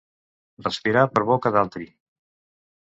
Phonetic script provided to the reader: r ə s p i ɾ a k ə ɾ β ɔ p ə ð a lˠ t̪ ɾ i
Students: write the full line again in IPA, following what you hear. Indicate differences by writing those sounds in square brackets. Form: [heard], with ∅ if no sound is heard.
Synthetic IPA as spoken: r ə s p i ɾ a [p] ə ɾ β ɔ [k] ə ð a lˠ t̪ ɾ i

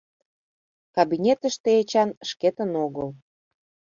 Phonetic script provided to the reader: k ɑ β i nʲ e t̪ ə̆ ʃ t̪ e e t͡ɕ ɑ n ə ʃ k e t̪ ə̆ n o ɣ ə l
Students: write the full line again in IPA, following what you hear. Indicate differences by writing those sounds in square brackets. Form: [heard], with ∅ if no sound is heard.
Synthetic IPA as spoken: k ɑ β i nʲ e t̪ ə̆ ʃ t̪ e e t͡ɕ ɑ n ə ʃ k e t̪ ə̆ n o ɣ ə l

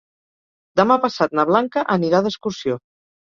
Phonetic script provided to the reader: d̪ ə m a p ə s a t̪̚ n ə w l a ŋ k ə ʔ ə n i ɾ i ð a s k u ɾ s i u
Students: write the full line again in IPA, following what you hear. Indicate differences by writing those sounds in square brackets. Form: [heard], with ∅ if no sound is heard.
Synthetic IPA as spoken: d̪ ə m a p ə s a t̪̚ n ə [β] l a ŋ k ə ʔ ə n i ɾ [a] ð [ə] s k u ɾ s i [o]

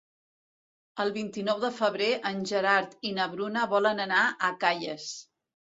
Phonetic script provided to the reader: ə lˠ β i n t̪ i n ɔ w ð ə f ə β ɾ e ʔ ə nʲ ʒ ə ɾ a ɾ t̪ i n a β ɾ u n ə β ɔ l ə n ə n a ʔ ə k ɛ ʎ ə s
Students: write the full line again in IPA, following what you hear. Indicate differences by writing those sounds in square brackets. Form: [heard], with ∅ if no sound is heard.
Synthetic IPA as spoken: ə lˠ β i n t̪ i n ɔ w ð ə f ə β ɾ e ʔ ə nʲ ʒ ə ɾ a ɾ t̪ i n [ə] β ɾ u n ə β ɔ l ə n ə n a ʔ ə k [a] ʎ ə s

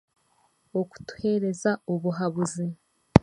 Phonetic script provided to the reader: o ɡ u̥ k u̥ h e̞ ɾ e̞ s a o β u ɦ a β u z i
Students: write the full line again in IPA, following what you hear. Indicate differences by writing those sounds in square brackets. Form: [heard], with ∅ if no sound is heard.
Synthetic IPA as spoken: o [k] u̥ [t] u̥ h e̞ ɾ e̞ [z] a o β u ɦ a β u z i

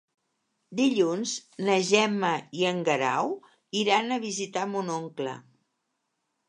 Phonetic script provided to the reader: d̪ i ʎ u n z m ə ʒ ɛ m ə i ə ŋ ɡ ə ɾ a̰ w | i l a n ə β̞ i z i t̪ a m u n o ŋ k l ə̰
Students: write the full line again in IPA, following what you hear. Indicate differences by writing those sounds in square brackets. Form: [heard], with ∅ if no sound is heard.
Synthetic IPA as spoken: d̪ i ʎ u n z [n] ə ʒ ɛ m ə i ə ŋ ɡ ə ɾ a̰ w | i [ɾ] a n ə β̞ i z i t̪ a m u n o ŋ k l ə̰

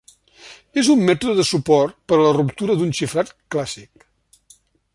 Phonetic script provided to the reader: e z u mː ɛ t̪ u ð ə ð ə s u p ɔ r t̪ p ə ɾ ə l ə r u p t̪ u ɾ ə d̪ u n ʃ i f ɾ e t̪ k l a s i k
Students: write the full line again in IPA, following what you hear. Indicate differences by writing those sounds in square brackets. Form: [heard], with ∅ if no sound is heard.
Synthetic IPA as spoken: e z u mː ɛ t̪ u ð ə ð ə s u p ɔ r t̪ p ə ɾ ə l ə r u p t̪ u ɾ ə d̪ u n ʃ i f ɾ [a] t̪ k l a s i k

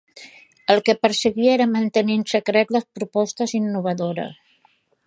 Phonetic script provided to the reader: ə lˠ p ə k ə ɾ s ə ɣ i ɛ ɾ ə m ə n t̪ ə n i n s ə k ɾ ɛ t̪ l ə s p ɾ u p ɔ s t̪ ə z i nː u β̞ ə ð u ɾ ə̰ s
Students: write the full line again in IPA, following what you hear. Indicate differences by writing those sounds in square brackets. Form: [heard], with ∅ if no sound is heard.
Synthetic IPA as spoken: ə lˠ [k] ə [p] ə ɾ s ə ɣ i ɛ ɾ ə m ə n t̪ ə n i n s ə k ɾ ɛ t̪ l ə s p ɾ u p ɔ s t̪ ə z i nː u β̞ ə ð [o] ɾ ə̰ s

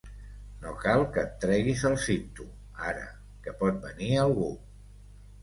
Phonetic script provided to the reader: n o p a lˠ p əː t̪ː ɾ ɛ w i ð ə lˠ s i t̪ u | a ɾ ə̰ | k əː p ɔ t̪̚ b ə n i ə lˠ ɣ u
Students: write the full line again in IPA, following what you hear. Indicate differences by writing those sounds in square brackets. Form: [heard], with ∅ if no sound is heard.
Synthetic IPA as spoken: n o [k] a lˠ [k] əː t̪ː ɾ ɛ [ɣ] i [z] ə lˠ s i t̪ u | a ɾ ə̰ | k [ə] p ɔ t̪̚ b ə n i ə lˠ ɣ u

